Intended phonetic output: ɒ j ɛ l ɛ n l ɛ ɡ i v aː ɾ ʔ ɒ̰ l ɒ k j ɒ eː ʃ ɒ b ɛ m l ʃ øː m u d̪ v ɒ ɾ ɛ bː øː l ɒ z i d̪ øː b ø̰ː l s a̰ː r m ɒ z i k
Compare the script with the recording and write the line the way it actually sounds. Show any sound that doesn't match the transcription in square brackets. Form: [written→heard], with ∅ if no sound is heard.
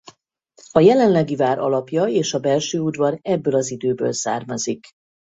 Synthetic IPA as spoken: ɒ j ɛ l ɛ n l ɛ ɡ i v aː ɾ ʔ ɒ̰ l ɒ [k→p] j ɒ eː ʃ ɒ b ɛ [m→∅] l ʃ øː [m→∅] u d̪ v ɒ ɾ ɛ bː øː l ɒ z i d̪ øː b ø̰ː l s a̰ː r m ɒ z i k